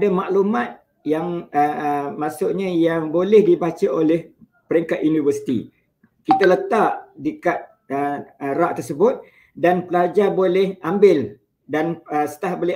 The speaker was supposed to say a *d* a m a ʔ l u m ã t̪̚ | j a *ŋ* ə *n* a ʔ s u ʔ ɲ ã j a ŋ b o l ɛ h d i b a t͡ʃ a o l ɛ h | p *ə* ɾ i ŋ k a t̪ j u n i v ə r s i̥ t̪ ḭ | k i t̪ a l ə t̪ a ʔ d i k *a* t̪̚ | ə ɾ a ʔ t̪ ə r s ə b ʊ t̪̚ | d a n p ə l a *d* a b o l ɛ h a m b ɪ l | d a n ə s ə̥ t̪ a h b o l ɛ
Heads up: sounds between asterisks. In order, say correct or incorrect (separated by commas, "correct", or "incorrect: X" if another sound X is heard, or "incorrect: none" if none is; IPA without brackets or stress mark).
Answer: correct, correct, incorrect: m, correct, correct, incorrect: d͡ʒ